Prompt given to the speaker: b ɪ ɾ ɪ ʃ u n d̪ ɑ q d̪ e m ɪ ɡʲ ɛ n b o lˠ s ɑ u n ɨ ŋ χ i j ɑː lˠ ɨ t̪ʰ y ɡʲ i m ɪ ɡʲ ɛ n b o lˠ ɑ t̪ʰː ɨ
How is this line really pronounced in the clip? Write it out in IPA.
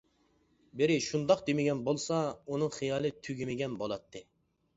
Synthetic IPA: b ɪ ɾ ɪ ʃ u n d̪ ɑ q d̪ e m ɪ ɡʲ ɛ n b o lˠ s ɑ u n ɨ ŋ χ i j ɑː lˠ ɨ t̪ʰ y ɡʲ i m ɪ ɡʲ ɛ n b o lˠ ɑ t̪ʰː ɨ